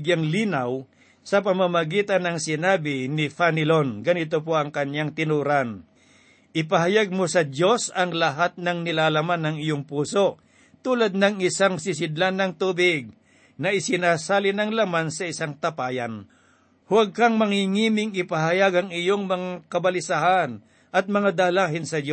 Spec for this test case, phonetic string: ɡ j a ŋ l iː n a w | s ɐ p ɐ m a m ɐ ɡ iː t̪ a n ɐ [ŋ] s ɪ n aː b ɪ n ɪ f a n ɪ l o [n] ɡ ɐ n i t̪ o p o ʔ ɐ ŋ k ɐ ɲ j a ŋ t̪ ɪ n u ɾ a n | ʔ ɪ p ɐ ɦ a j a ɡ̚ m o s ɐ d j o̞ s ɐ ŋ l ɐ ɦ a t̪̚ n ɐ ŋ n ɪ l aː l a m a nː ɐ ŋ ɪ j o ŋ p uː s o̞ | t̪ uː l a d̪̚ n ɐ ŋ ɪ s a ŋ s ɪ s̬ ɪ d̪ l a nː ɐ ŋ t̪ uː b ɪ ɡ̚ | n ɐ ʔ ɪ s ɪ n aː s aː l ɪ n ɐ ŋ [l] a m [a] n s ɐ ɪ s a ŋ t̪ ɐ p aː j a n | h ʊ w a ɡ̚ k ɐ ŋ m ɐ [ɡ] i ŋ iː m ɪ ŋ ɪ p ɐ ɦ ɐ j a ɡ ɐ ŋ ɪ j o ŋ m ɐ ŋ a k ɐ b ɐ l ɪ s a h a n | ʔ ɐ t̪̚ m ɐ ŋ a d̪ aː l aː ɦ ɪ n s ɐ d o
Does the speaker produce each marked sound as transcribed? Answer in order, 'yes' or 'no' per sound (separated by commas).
yes, yes, yes, yes, no